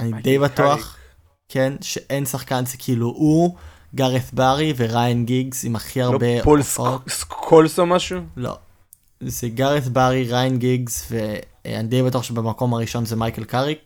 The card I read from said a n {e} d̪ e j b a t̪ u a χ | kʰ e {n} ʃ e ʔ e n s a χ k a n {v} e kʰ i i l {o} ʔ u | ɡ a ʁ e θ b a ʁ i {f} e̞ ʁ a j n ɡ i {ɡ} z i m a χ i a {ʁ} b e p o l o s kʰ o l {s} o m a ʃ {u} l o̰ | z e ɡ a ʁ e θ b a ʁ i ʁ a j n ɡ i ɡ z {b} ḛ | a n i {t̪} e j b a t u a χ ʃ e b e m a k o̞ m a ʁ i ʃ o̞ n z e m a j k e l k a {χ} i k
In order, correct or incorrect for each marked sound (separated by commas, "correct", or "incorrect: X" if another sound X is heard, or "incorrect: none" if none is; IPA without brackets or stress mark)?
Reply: incorrect: i, correct, incorrect: z, incorrect: u, incorrect: v, correct, correct, correct, correct, incorrect: v, incorrect: d̪, incorrect: ʁ